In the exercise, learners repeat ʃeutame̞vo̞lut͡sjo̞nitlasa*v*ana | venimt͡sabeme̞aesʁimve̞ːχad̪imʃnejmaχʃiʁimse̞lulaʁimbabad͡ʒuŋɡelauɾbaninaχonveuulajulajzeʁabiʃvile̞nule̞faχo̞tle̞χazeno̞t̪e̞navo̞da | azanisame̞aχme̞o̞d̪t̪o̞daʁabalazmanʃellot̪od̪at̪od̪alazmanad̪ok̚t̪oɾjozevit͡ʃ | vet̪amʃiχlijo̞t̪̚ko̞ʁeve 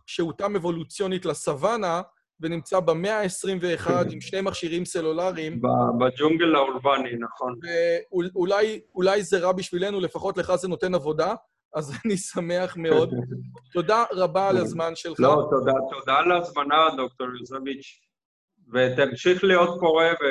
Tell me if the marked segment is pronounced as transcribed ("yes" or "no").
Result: yes